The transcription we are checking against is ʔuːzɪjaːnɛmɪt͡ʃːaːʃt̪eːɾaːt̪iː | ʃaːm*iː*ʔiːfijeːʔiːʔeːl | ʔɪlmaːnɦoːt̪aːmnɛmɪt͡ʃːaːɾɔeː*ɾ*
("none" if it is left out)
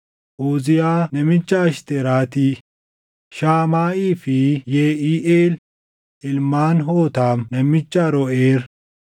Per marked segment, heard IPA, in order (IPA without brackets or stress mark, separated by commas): aː, ɾ